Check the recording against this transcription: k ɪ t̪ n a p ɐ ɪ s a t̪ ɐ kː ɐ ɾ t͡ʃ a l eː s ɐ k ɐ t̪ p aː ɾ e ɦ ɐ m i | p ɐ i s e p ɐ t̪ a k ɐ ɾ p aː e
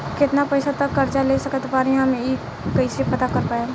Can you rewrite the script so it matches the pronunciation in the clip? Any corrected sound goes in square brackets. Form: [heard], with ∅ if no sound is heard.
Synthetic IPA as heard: k ɪ t̪ n a p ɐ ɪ s a t̪ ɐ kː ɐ ɾ t͡ʃ a l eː s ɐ k [ə] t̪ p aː ɾ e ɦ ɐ m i | [k] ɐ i s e p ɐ t̪ a k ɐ ɾ p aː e